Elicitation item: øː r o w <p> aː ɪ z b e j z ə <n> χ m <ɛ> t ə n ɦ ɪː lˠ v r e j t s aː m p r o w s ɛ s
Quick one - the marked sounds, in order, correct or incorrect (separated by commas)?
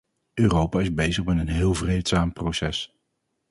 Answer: correct, incorrect, correct